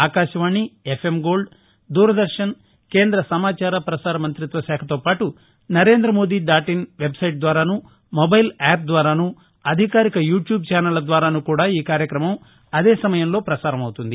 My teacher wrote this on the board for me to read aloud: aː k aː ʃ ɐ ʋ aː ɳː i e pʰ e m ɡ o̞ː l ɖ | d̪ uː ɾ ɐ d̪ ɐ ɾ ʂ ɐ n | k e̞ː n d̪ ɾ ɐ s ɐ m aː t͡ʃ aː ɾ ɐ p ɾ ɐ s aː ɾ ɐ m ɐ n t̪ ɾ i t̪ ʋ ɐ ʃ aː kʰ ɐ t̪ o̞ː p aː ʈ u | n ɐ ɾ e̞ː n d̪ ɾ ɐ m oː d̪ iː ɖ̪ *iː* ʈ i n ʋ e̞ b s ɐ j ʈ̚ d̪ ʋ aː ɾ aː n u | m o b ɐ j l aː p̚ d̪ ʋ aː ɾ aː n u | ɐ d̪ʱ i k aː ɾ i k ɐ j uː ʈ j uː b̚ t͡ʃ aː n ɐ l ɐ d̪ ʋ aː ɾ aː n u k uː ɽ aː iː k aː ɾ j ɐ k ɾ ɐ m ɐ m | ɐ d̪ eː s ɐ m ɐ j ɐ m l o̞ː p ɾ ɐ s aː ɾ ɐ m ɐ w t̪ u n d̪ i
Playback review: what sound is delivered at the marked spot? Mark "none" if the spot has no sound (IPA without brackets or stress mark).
aː